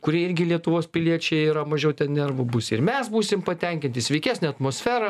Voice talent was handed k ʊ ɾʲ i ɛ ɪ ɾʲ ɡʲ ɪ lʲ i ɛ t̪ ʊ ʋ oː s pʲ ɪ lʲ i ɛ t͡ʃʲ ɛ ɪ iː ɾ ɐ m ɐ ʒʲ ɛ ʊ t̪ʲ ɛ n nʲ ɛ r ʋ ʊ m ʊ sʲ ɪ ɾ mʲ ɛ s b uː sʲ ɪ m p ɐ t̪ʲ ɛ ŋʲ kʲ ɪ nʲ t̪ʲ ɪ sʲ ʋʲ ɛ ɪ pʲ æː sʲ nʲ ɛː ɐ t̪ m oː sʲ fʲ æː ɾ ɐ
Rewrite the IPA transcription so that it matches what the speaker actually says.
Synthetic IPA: k ʊ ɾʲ i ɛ ɪ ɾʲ ɡʲ ɪ lʲ i ɛ t̪ ʊ ʋ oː s pʲ ɪ lʲ i ɛ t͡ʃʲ ɛ ɪ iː ɾ ɐ m ɐ ʒʲ ɛ ʊ t̪ʲ ɛ n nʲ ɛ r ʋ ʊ b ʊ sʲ ɪ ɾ mʲ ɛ s b uː sʲ ɪ m p ɐ t̪ʲ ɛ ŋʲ kʲ ɪ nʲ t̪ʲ ɪ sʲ ʋʲ ɛ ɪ kʲ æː sʲ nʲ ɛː ɐ t̪ m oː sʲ fʲ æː ɾ ɐ